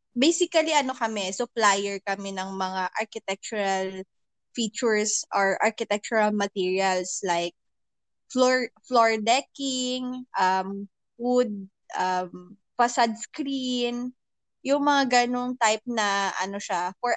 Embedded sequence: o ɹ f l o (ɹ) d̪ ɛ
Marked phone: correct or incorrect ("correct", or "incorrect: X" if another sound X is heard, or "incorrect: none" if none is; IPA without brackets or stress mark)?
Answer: correct